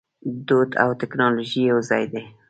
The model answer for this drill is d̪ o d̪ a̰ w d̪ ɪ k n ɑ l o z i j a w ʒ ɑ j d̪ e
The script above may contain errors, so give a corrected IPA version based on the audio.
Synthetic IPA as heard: d̪ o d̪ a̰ w t̪ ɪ k n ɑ l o ʒ i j a w z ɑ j d̪ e